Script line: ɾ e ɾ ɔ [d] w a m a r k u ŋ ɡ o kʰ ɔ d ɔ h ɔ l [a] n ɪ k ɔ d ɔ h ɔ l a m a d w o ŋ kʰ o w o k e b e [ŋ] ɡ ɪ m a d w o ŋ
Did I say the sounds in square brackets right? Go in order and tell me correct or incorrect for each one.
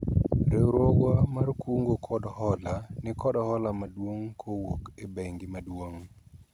incorrect, correct, correct

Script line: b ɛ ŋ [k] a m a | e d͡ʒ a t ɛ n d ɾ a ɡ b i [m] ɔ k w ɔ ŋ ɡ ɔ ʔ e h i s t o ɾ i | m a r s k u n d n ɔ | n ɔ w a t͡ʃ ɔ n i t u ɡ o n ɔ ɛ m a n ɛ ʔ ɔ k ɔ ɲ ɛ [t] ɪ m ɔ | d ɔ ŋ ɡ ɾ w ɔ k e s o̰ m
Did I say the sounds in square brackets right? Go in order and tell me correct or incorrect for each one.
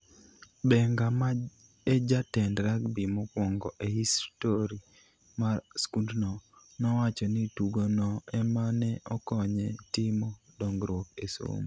incorrect, correct, correct

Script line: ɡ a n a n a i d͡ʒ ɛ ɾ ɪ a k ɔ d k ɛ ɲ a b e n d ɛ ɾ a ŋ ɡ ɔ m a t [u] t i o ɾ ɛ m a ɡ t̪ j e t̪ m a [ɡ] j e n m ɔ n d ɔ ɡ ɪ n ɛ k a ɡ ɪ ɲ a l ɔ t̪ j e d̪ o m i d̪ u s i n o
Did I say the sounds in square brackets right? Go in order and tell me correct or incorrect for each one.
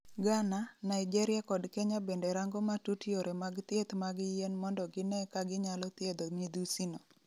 correct, correct

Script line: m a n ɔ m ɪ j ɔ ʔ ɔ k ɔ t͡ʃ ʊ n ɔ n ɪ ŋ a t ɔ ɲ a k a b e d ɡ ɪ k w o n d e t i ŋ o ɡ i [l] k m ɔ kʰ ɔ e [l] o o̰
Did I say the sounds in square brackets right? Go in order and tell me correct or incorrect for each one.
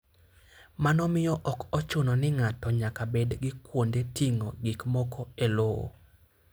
incorrect, correct

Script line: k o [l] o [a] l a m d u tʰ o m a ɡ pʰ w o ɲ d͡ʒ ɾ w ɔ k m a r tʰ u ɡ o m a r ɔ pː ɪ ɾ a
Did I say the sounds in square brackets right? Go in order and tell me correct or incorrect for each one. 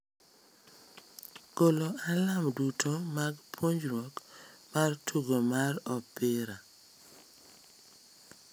correct, correct

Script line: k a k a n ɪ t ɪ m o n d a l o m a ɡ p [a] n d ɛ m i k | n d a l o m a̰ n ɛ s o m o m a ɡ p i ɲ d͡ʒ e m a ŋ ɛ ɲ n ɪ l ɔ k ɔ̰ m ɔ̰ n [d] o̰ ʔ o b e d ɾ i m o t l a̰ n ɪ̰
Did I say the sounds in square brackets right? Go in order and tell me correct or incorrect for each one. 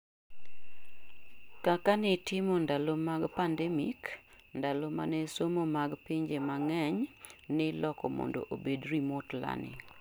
correct, correct

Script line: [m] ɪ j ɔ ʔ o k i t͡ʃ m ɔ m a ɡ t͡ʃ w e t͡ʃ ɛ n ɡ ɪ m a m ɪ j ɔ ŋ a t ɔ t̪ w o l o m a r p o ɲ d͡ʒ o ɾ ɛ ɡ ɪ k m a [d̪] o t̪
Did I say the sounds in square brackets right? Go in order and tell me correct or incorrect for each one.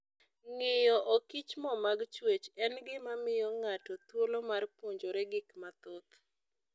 incorrect, incorrect

